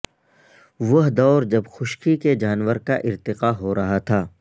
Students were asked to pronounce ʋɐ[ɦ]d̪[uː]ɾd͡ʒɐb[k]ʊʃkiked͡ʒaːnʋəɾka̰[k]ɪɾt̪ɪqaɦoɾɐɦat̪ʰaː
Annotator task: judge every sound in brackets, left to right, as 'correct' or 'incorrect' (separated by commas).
correct, incorrect, incorrect, incorrect